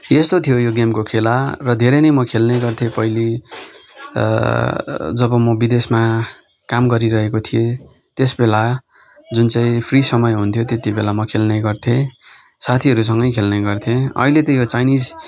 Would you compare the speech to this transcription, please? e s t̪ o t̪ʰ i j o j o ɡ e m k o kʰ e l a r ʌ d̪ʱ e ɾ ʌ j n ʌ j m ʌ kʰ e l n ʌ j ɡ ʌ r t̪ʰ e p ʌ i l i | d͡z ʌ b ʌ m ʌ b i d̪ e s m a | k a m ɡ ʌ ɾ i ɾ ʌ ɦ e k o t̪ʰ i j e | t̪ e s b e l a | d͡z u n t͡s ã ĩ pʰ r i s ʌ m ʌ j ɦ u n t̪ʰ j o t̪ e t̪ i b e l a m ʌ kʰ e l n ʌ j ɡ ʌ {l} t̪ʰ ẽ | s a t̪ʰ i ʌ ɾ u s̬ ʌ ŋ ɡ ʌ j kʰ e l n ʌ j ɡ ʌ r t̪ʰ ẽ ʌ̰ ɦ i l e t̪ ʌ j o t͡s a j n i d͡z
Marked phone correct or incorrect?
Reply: incorrect: r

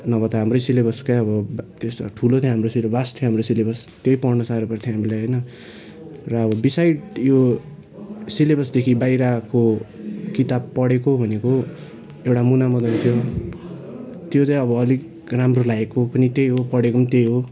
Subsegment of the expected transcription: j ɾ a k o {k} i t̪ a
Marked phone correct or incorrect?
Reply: correct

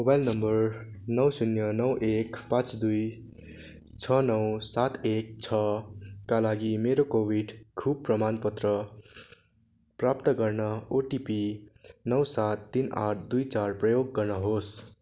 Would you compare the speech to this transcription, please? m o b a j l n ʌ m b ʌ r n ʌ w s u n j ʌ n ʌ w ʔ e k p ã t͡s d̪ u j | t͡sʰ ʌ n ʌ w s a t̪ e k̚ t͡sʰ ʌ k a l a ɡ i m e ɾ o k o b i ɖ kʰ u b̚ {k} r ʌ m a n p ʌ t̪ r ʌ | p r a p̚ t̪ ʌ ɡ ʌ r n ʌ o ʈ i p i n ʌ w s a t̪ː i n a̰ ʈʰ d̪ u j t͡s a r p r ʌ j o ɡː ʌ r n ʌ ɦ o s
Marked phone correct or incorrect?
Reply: incorrect: p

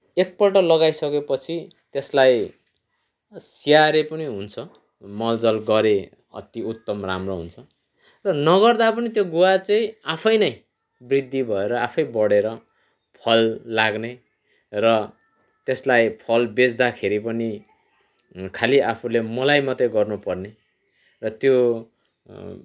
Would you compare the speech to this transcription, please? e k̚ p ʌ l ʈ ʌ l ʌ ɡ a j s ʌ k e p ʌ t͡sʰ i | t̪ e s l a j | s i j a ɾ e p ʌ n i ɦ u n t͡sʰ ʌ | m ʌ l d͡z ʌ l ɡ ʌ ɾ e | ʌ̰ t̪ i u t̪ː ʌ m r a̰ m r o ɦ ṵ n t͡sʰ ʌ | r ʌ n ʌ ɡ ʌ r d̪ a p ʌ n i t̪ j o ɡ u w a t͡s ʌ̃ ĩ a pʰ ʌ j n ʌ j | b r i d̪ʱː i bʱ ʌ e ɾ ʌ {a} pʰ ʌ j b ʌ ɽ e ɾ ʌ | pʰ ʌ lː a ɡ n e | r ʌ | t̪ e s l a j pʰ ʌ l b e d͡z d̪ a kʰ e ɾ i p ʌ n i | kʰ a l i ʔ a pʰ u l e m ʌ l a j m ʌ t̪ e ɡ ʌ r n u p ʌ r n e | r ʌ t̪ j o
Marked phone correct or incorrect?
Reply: correct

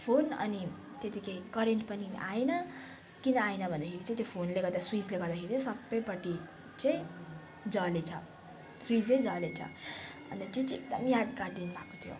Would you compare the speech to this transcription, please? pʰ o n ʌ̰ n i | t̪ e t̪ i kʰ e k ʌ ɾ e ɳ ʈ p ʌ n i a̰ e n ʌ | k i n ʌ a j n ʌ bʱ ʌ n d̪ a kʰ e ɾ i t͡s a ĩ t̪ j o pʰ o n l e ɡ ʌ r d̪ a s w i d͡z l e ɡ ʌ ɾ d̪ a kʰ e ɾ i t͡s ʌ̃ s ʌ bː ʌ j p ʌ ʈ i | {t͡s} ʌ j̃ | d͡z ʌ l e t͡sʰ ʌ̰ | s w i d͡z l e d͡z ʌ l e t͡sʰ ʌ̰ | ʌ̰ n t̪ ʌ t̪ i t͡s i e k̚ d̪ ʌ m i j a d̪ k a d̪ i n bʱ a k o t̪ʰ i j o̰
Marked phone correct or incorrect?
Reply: correct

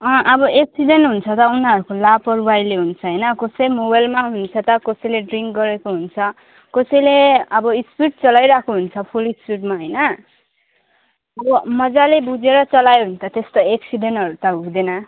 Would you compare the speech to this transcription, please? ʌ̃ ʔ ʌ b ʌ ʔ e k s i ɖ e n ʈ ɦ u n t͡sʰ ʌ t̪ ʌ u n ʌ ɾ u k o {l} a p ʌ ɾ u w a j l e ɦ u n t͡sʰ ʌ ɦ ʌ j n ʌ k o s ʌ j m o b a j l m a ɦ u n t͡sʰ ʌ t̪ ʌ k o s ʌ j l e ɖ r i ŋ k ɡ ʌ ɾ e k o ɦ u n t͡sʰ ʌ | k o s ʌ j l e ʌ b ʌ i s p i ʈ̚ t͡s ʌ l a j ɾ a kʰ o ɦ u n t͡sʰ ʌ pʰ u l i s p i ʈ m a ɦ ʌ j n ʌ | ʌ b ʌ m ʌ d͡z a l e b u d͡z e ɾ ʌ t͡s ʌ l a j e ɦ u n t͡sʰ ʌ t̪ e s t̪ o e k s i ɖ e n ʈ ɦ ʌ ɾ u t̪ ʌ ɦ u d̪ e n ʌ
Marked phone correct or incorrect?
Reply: correct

